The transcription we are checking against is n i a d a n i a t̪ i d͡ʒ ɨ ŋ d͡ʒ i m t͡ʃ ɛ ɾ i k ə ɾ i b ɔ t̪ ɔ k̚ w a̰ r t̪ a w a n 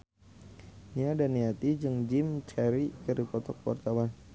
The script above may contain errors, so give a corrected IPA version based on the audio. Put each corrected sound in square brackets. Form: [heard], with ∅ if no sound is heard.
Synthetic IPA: n i a d a n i a t̪ i d͡ʒ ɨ ŋ d͡ʒ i m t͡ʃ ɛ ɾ i k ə ɾ i [p] ɔ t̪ ɔ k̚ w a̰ r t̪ a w a n